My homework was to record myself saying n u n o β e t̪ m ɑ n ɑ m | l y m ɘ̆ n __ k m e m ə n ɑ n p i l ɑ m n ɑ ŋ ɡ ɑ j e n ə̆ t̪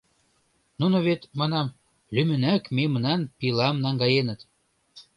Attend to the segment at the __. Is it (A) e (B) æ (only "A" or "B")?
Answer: B